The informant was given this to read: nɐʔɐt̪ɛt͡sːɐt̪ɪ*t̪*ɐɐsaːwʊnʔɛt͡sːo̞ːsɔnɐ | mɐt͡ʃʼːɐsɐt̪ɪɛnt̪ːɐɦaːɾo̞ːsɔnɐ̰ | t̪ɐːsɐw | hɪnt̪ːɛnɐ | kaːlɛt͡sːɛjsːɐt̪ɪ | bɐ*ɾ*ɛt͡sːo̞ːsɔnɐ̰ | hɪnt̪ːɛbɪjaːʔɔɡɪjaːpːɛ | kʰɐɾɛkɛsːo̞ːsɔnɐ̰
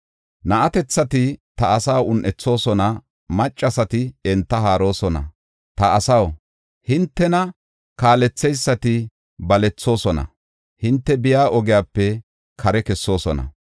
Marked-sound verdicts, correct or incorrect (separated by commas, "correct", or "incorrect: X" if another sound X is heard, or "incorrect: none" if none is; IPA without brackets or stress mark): correct, incorrect: l